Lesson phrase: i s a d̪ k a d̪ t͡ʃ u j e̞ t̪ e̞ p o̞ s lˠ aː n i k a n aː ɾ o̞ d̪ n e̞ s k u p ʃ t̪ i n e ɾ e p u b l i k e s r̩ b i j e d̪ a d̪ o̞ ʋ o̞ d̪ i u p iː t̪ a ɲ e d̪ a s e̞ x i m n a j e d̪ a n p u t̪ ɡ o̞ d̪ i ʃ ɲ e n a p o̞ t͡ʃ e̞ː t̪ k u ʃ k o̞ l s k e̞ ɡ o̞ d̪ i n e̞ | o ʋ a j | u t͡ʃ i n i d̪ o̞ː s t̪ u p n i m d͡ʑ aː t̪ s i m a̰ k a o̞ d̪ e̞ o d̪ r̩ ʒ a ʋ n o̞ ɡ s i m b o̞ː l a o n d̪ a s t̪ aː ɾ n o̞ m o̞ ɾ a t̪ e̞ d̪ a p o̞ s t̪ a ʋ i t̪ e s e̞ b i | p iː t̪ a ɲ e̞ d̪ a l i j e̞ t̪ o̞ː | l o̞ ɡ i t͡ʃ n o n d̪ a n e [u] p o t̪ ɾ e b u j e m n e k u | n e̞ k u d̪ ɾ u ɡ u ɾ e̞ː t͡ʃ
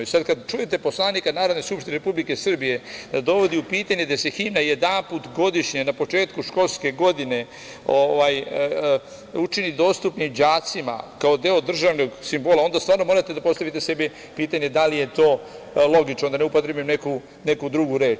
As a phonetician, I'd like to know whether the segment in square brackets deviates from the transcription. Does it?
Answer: no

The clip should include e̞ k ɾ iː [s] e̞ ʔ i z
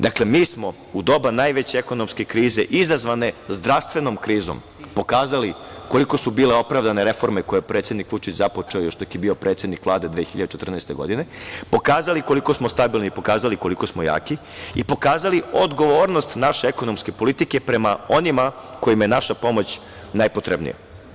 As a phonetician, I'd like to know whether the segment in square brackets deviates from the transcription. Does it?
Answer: yes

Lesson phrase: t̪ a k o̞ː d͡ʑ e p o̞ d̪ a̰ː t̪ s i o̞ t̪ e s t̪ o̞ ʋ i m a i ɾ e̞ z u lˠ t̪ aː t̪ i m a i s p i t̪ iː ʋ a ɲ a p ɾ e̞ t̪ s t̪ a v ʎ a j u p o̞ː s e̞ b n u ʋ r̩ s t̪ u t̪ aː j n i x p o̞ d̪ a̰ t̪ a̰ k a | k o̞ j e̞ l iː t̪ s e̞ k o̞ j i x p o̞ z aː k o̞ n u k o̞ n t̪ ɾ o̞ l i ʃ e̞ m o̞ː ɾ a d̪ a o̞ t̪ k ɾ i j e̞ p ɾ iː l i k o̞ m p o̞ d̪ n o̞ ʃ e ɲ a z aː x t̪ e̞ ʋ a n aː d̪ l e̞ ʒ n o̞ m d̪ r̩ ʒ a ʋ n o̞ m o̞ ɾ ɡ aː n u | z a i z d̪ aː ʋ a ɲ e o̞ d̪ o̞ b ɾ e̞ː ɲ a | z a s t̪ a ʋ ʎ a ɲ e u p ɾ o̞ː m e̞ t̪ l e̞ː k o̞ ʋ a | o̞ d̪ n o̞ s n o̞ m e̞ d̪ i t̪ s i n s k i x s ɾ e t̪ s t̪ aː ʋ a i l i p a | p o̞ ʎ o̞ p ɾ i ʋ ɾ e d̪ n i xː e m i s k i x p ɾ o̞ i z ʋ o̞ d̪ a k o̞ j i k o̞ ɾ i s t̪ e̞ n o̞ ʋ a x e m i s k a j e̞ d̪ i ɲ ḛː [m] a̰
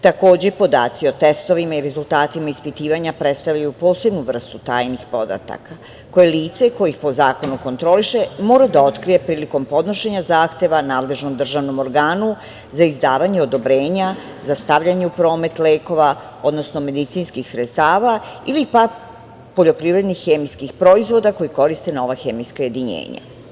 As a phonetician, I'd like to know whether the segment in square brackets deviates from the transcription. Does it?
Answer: yes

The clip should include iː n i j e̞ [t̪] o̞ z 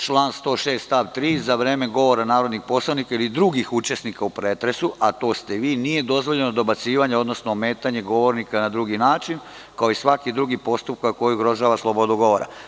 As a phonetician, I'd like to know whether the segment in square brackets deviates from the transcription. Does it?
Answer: yes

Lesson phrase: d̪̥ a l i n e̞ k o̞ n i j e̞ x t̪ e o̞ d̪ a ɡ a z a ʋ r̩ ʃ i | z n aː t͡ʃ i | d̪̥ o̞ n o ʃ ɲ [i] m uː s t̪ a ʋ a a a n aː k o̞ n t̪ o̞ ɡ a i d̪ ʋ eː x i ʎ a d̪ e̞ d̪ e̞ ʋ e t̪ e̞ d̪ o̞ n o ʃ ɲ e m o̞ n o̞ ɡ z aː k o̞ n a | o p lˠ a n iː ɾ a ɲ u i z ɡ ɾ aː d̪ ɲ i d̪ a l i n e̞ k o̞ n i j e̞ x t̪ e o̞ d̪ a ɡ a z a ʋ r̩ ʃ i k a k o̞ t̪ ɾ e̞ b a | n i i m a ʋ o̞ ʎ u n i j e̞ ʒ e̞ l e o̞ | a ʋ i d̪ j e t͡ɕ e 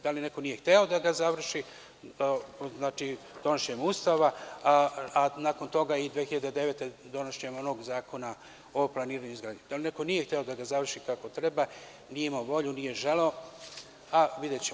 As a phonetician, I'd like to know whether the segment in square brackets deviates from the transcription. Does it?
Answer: yes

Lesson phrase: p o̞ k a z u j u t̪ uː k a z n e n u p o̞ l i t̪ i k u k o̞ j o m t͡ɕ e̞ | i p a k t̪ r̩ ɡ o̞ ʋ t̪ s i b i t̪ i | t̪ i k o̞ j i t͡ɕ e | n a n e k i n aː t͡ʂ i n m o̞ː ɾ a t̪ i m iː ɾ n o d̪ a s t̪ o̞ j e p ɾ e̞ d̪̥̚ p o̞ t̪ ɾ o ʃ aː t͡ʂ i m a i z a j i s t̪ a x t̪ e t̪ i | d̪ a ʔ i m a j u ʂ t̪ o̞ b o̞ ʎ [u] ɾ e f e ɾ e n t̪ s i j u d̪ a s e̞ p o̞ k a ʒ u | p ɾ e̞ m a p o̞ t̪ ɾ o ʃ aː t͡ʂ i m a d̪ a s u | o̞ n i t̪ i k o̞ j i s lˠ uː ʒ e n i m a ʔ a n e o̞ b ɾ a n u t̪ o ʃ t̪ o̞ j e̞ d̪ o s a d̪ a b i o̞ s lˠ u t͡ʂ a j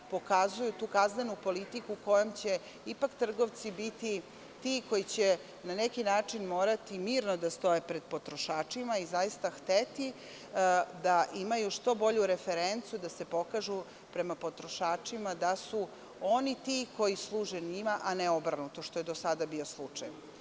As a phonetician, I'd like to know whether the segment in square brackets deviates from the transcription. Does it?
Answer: no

